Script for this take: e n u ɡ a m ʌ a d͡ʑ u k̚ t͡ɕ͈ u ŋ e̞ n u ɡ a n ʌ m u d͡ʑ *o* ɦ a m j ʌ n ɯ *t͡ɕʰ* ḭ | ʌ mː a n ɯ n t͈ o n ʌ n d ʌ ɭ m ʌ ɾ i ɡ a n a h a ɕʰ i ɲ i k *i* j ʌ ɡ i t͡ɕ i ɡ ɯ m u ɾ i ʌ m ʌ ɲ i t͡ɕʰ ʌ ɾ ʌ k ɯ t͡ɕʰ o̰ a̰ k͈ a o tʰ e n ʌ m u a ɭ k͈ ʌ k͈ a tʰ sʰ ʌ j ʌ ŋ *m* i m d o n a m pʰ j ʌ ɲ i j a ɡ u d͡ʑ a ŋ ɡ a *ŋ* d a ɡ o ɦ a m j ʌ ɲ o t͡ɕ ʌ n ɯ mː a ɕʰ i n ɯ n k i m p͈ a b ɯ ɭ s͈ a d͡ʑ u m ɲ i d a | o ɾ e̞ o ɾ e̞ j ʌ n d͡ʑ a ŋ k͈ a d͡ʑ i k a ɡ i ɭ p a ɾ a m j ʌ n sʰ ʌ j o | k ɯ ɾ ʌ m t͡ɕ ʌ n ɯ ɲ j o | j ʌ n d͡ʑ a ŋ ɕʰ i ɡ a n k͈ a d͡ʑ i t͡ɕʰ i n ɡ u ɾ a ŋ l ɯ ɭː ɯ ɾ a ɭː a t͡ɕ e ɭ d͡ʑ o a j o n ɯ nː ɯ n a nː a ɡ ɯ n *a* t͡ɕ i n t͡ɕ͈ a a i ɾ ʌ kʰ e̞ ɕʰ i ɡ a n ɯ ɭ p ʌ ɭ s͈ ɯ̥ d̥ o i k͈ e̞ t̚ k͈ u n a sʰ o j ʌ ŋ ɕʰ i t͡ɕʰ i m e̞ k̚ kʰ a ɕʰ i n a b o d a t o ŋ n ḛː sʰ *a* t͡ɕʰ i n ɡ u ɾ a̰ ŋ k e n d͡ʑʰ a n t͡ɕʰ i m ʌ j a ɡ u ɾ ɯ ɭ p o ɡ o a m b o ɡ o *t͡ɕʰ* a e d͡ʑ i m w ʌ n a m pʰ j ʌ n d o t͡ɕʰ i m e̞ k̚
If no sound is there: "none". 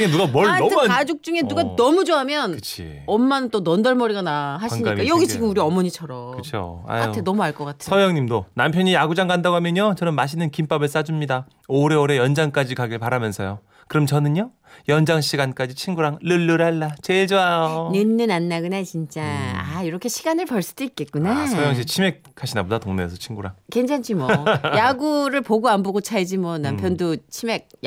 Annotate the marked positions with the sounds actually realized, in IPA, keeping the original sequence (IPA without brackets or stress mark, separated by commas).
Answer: o, t͡ɕʰ, a, ɲ, n, a, ʌ, t͡ɕʰ